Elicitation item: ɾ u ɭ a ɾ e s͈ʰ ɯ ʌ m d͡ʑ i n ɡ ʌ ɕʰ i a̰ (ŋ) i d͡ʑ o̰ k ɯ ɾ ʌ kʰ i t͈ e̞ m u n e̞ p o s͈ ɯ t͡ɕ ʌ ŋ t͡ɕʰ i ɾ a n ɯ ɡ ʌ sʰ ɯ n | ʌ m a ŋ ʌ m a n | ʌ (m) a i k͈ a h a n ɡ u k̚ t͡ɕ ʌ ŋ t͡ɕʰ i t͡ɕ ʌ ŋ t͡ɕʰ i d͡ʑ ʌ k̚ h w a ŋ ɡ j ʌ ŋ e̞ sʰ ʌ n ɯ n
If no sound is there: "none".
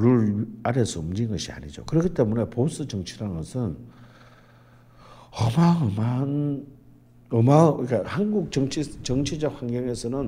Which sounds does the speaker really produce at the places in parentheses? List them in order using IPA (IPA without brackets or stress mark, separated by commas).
ɲ, m